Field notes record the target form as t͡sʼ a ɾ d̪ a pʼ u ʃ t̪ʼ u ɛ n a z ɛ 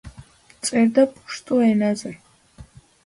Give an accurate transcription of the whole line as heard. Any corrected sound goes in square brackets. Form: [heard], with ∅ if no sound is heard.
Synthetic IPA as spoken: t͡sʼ [ɛ] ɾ d̪ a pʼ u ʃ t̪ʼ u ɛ n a z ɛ